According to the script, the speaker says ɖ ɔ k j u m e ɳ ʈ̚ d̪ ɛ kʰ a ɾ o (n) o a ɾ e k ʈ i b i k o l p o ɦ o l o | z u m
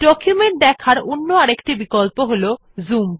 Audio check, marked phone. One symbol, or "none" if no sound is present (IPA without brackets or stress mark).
nː